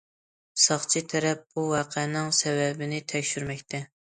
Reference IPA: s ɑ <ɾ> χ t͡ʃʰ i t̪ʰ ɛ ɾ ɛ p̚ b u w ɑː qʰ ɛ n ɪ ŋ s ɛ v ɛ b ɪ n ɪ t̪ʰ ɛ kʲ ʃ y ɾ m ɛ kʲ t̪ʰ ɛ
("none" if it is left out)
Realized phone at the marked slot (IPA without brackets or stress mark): none